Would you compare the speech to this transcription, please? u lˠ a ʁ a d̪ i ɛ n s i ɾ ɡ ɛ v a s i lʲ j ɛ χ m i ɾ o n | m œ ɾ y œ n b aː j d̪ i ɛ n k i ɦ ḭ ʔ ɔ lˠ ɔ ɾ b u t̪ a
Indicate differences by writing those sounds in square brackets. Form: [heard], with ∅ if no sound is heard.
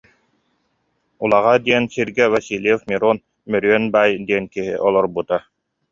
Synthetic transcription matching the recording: u lˠ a ʁ a d̪ i ɛ n s i ɾ ɡ ɛ v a s i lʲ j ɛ [f] m i ɾ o n | m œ ɾ y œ n b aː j d̪ i ɛ n k i ɦ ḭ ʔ ɔ lˠ ɔ ɾ b u t̪ a